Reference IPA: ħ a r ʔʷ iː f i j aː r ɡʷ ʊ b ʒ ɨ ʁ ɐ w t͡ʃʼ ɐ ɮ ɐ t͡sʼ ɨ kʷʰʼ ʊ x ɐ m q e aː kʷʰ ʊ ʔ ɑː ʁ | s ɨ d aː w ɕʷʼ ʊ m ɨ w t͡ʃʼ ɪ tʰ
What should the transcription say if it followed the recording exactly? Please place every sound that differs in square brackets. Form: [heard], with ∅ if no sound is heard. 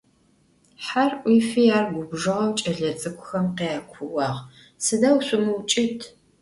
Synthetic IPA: ħ a r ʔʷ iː f i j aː r ɡʷ ʊ b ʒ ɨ ʁ ɐ w t͡ʃʼ ɐ ɮ ɐ t͡sʼ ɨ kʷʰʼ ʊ x ɐ m q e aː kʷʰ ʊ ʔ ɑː ʁ | s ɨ d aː w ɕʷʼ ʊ m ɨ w t͡ʃʼ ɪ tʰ